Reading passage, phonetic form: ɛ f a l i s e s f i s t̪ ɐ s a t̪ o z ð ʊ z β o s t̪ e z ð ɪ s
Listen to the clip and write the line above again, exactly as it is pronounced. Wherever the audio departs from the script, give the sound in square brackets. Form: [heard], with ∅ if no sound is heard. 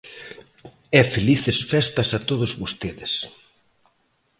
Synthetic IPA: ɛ f [e] l i [θ] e s f [ɛ] s t̪ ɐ s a t̪ o [∅] ð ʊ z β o s t̪ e [∅] ð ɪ s